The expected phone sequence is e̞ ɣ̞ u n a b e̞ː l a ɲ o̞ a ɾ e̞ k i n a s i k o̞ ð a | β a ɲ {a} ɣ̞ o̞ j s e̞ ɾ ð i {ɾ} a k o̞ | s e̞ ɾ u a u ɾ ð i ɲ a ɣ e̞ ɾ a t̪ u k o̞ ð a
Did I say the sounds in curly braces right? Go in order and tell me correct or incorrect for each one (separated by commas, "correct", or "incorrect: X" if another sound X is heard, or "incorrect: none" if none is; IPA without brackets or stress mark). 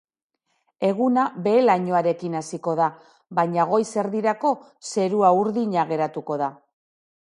correct, correct